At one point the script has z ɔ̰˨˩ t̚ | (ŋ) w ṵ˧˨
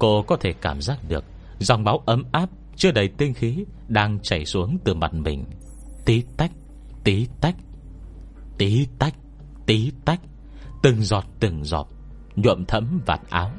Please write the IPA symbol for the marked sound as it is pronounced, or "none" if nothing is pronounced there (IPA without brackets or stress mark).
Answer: ɲ